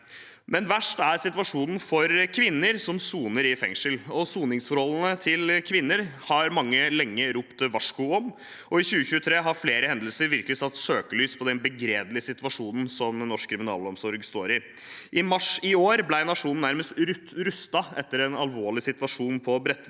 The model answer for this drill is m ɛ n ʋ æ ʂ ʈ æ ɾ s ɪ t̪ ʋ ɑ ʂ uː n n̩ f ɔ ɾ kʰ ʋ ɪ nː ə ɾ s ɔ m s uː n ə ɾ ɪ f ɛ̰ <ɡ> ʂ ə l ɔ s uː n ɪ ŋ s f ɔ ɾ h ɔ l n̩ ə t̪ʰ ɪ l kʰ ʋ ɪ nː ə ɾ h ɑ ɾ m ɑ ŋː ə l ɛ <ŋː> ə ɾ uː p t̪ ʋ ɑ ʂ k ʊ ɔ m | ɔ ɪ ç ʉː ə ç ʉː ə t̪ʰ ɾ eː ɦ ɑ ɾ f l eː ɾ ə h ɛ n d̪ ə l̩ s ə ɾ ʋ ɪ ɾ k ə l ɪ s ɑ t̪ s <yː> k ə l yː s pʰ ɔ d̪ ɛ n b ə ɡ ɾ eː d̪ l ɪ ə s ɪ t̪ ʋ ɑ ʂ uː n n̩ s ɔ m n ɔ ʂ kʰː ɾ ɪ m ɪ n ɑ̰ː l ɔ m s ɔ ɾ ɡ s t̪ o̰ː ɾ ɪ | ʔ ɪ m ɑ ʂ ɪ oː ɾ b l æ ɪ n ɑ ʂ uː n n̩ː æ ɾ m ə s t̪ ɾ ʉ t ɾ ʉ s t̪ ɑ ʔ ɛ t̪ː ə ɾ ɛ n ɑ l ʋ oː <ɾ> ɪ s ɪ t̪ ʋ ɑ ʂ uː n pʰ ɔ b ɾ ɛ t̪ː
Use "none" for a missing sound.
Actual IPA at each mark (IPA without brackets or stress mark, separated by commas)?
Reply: ŋ, ŋː, øː, ɭ